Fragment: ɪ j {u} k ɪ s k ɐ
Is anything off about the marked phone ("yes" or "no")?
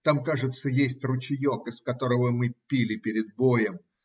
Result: yes